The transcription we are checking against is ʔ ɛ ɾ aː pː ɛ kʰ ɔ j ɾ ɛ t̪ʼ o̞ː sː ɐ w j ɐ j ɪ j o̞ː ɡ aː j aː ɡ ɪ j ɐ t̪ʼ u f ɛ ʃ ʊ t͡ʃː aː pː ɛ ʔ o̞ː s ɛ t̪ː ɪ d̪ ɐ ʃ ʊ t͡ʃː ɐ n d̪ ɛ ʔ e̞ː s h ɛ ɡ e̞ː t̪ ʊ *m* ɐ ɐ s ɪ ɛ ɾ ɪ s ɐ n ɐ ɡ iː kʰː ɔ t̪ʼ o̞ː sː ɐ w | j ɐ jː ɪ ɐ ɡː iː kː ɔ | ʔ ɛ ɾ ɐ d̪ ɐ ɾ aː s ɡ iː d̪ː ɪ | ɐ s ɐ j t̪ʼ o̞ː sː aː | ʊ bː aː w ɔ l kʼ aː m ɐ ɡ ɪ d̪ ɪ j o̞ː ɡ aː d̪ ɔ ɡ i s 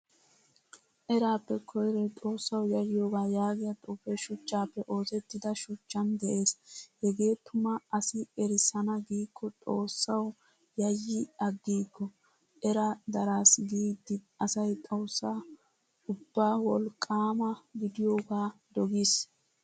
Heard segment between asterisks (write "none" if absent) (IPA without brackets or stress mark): m